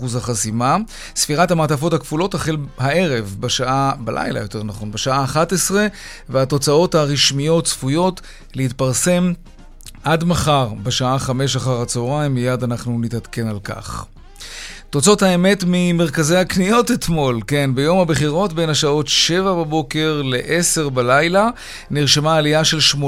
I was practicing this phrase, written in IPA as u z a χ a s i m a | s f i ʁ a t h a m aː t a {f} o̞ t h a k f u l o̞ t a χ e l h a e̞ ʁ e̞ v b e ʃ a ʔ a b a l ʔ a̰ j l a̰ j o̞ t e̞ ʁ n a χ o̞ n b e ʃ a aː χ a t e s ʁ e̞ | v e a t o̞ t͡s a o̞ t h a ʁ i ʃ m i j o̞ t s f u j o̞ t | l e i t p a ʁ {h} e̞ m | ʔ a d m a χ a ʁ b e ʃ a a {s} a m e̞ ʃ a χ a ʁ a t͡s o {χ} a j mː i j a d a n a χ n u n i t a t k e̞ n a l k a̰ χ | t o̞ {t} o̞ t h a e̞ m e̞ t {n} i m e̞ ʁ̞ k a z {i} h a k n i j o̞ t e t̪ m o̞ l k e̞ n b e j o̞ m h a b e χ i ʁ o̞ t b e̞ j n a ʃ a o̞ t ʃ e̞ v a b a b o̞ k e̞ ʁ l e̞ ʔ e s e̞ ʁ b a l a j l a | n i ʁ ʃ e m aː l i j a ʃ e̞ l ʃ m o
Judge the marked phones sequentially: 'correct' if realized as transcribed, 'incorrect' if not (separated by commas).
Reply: correct, incorrect, incorrect, incorrect, incorrect, incorrect, incorrect